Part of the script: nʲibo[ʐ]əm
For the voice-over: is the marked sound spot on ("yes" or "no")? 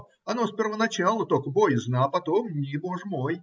yes